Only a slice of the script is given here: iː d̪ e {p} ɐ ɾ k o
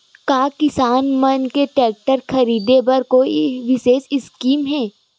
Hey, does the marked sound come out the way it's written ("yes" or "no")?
no